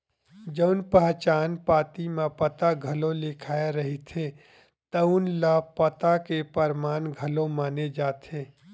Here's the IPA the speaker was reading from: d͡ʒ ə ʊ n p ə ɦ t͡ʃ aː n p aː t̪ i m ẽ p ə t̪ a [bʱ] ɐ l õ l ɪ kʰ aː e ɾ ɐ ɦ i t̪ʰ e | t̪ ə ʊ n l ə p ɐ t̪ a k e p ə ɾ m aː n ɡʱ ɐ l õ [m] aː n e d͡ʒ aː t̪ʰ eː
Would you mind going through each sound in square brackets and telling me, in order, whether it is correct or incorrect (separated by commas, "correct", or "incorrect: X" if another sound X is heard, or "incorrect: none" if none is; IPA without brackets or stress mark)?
incorrect: ɡʱ, correct